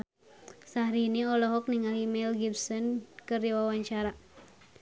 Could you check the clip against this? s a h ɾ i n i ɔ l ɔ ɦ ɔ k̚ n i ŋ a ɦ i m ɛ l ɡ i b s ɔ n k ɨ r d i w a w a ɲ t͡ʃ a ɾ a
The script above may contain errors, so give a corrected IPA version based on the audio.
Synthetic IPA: s a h ɾ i n i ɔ l ɔ ɦ ɔ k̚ n i ŋ a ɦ i m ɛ l ɡ i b s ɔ n k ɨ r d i w a w a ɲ t͡ʃ a ɾ a